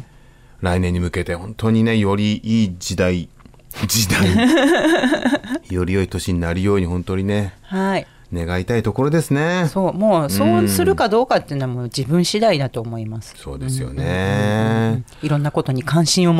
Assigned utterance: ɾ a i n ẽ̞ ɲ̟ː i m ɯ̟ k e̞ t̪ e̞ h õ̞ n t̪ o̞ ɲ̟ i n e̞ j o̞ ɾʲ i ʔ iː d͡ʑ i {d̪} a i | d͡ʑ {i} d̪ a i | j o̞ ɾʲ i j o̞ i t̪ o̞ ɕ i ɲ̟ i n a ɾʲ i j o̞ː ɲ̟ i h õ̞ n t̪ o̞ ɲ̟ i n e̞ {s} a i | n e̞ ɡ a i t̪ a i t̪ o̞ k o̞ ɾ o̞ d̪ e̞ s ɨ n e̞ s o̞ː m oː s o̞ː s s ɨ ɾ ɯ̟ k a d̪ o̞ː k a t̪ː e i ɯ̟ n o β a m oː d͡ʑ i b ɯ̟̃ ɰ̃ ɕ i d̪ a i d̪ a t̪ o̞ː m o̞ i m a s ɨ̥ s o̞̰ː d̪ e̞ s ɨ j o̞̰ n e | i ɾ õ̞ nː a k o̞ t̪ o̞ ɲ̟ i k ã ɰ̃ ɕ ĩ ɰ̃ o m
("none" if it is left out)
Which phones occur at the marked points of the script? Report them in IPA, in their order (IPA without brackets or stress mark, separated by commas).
d̪, i, h